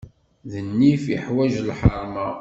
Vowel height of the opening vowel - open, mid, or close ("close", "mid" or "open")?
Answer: mid